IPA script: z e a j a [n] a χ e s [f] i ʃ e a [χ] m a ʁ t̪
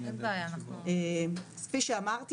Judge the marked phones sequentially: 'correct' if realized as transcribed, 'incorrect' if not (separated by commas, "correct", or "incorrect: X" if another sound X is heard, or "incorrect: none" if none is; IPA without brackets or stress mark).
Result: correct, correct, incorrect: none